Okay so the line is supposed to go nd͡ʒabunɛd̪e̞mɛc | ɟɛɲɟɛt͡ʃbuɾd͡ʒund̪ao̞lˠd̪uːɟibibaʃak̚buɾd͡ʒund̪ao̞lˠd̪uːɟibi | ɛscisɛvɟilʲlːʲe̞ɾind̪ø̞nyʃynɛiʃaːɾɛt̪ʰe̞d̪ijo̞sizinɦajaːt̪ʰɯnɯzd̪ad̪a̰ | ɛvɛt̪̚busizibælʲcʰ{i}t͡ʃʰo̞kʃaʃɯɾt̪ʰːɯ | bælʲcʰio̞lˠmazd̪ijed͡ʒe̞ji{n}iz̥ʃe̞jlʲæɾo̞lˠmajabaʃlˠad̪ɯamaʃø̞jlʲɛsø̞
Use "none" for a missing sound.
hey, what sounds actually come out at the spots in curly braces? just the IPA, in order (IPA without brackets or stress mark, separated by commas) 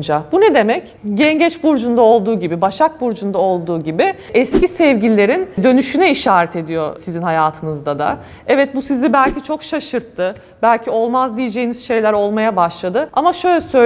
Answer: i, n